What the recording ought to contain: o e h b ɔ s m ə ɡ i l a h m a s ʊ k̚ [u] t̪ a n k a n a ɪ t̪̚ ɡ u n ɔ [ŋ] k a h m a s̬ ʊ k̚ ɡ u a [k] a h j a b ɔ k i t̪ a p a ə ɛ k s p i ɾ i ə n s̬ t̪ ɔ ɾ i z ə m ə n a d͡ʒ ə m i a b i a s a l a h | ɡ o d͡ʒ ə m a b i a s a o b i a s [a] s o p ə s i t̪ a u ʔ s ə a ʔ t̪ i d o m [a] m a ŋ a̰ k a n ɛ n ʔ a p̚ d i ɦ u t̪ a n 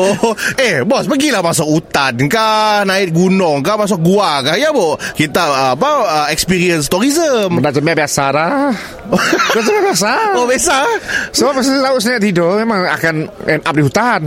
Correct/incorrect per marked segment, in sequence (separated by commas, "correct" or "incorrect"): correct, correct, correct, correct, incorrect